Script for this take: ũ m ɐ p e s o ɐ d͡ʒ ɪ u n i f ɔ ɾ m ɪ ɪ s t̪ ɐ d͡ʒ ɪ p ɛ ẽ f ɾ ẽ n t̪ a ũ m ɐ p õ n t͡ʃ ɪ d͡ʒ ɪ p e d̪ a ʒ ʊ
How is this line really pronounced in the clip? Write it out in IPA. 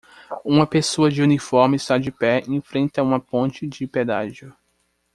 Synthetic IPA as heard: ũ m ɐ p e s o ɐ d͡ʒ ɪ u n i f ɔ ɾ m ɪ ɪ s t̪ a d͡ʒ ɪ p ɛ ẽ f ɾ ẽ n t̪ ɐ ũ m ɐ p õ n t͡ʃ ɪ d͡ʒ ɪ p e d̪ a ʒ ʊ